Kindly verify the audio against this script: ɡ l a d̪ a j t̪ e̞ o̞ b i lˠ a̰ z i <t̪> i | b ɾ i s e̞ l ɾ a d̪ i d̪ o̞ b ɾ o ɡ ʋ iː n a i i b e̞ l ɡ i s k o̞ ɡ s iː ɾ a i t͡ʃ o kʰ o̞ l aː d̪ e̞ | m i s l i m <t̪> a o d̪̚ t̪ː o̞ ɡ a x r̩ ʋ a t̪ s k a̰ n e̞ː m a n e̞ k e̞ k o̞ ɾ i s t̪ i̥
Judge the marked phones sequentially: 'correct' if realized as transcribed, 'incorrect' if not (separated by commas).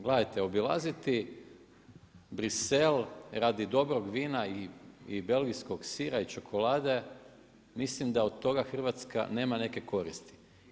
correct, incorrect